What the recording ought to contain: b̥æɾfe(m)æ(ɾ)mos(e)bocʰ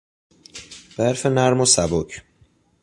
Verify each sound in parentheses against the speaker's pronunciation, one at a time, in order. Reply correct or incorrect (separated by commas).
incorrect, correct, incorrect